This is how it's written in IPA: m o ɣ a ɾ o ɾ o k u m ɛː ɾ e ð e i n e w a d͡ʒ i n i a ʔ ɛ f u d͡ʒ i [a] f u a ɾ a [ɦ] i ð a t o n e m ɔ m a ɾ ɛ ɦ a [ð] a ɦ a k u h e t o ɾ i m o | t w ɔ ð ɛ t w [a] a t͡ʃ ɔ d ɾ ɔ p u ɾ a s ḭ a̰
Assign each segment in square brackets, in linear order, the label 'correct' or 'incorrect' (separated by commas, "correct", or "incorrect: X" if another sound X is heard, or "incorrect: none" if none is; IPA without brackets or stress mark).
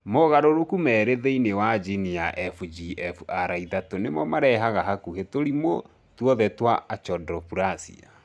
incorrect: ɛ, incorrect: none, incorrect: ɣ, correct